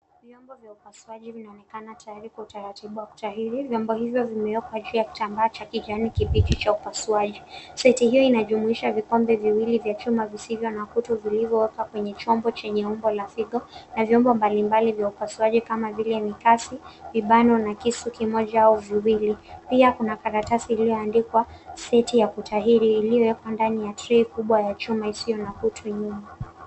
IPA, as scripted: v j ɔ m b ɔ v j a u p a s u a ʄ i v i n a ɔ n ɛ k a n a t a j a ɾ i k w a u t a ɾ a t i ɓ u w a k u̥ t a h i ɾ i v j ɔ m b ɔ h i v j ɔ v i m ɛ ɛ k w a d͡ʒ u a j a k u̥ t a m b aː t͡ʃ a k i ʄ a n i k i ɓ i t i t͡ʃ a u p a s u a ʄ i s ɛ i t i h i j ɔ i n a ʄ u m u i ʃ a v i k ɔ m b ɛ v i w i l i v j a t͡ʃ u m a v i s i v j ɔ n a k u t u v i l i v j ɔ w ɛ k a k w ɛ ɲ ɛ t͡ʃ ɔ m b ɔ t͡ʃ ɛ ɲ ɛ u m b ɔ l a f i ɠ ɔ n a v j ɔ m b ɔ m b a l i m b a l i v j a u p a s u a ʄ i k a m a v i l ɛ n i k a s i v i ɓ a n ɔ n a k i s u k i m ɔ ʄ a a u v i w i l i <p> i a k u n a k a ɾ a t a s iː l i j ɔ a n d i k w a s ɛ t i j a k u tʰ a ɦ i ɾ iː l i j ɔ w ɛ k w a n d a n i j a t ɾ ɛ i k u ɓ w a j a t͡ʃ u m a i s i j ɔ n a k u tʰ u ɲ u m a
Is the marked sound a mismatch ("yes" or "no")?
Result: no